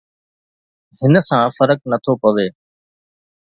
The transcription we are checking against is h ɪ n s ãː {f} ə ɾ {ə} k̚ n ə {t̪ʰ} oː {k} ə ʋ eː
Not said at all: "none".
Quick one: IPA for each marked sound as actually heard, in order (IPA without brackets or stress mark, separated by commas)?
f, ə, t̪ʰ, p